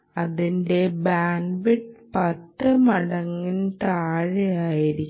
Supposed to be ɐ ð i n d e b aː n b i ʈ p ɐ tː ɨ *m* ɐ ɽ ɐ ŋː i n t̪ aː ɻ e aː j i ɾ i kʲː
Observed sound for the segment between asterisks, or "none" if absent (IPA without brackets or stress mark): m